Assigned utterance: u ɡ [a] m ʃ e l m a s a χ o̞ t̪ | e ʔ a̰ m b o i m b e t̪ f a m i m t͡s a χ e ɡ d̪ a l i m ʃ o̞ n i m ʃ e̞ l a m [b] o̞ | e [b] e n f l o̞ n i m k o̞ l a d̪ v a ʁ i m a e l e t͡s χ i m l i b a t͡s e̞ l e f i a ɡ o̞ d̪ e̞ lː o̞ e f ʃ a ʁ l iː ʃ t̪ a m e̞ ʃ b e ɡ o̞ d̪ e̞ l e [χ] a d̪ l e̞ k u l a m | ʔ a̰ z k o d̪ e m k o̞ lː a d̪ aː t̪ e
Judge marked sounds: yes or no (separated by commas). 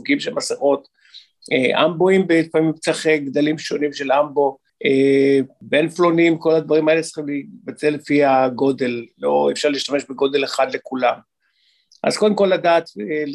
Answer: no, yes, yes, yes